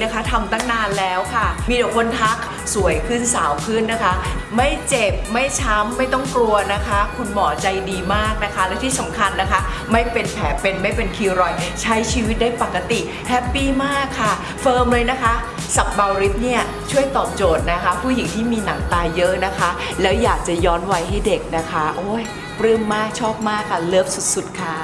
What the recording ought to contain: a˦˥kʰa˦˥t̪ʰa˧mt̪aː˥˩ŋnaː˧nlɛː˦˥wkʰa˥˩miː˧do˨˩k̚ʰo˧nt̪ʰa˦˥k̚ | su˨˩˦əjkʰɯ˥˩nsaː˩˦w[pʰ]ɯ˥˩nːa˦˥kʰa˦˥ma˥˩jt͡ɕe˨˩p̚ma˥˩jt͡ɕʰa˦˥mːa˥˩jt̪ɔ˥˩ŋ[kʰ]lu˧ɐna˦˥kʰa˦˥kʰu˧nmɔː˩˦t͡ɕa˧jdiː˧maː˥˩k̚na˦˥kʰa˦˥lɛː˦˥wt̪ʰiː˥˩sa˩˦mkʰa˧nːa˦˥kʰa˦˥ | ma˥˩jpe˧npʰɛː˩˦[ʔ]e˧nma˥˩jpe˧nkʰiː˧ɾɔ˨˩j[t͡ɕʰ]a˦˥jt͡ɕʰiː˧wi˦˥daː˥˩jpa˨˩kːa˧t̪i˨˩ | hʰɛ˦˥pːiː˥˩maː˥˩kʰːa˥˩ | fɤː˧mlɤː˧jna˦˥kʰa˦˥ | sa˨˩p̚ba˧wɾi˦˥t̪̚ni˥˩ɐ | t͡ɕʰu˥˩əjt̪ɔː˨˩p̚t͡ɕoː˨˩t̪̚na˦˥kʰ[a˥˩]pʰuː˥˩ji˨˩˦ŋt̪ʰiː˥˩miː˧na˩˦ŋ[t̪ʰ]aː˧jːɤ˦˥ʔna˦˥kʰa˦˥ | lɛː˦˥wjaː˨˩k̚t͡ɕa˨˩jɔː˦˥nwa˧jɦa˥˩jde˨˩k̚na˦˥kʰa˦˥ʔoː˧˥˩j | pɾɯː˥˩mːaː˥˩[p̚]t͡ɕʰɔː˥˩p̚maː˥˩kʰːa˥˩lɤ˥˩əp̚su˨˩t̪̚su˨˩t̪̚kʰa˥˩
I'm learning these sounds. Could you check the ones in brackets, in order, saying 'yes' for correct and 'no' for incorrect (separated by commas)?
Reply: no, no, no, yes, no, no, no